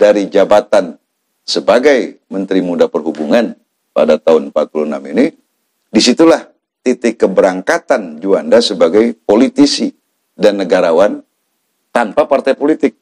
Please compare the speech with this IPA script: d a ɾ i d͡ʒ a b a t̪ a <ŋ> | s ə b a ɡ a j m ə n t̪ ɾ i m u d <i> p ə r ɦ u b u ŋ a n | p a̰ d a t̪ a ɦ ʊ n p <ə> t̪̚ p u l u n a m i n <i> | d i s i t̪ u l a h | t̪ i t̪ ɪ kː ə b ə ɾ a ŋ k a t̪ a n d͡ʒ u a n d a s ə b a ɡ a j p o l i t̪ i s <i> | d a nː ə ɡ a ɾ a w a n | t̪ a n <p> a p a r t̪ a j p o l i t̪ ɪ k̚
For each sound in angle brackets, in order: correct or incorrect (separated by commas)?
incorrect, incorrect, incorrect, correct, correct, correct